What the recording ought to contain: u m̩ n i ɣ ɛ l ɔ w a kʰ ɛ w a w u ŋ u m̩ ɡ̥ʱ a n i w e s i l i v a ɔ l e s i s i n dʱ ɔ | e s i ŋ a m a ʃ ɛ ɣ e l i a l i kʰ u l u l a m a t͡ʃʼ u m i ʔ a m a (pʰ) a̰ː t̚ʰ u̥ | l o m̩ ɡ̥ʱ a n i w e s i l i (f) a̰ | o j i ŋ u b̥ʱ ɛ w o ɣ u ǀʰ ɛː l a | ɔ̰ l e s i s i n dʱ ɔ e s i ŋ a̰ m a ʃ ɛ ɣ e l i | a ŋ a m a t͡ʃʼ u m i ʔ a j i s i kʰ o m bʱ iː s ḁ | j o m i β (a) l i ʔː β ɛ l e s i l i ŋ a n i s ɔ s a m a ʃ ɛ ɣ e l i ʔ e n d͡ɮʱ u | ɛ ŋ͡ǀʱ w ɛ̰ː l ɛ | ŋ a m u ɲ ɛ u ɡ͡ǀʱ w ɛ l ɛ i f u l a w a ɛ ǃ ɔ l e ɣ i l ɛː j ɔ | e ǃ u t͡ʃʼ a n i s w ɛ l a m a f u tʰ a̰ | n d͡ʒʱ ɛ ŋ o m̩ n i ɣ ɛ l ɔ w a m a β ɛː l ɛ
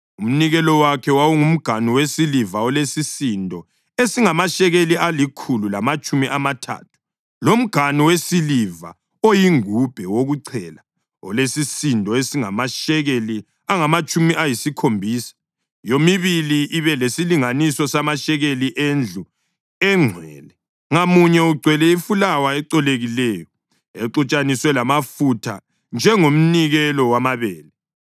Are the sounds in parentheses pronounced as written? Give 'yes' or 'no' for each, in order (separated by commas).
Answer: no, no, no